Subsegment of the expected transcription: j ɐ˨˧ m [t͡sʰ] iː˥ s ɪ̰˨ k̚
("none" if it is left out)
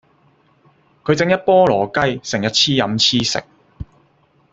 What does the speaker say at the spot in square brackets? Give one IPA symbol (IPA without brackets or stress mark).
t͡sʰ